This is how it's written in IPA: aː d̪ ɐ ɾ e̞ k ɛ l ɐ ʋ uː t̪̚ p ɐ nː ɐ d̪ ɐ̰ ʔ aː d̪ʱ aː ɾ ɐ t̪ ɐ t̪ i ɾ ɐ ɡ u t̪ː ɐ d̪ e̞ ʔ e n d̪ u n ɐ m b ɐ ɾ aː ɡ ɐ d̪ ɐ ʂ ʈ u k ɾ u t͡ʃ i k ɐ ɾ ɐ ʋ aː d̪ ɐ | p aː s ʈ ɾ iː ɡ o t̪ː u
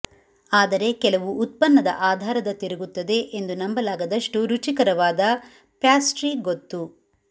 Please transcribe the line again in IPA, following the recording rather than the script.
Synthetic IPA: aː d̪ ɐ ɾ e̞ k ɛ l ɐ ʋ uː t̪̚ p ɐ nː ɐ d̪ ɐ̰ ʔ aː d̪ʱ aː ɾ ɐ d̪ ɐ t̪ i ɾ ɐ ɡ u t̪ː ɐ d̪ e̞ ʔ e n d̪ u n ɐ m b ɐ l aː ɡ ɐ d̪ ɐ ʂ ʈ u ɾ u t͡ʃ i k ɐ ɾ ɐ ʋ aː d̪ ɐ | p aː s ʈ ɾ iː ɡ o t̪ː u